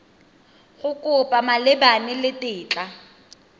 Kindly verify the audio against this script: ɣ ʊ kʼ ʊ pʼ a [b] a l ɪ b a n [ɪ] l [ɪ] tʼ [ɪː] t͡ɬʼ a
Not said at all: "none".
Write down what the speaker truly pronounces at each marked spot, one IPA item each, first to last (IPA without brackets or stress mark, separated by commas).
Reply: m, ɪ, ɪ, ɪː